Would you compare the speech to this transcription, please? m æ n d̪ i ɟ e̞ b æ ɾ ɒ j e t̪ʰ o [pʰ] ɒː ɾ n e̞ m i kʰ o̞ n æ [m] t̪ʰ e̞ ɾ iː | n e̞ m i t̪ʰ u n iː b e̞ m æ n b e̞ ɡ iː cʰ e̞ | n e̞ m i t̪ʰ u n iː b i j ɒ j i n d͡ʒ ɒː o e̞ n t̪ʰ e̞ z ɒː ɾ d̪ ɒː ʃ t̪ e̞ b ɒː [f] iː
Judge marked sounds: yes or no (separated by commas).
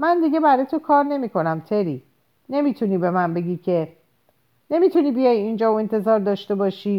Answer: no, yes, no